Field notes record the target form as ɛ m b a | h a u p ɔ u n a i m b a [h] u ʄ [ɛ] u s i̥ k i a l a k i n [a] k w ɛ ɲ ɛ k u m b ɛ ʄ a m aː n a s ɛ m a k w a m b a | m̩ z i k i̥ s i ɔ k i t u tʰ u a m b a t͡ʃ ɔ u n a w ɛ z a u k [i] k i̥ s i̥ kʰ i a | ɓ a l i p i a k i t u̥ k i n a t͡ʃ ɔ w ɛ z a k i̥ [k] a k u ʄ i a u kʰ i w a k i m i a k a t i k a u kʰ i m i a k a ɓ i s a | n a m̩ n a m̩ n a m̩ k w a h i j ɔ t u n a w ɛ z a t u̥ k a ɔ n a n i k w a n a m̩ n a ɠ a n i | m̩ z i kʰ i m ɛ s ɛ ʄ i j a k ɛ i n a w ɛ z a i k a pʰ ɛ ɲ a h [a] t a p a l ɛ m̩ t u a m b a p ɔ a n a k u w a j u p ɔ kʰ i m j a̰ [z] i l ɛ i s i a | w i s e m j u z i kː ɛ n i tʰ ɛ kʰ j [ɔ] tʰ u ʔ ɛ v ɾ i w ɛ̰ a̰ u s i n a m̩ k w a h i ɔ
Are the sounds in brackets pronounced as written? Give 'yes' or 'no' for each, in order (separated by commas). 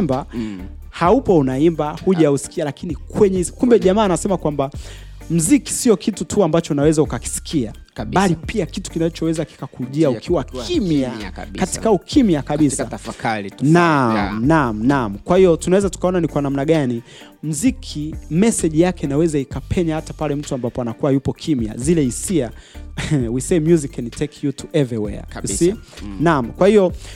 yes, no, no, no, yes, yes, yes, no